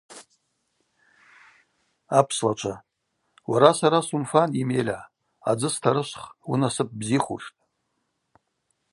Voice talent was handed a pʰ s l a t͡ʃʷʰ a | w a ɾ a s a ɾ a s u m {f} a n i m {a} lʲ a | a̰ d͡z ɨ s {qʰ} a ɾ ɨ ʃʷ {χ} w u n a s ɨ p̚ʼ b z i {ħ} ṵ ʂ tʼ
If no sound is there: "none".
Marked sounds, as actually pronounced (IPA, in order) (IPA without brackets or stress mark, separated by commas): f, e, tʰ, χ, χ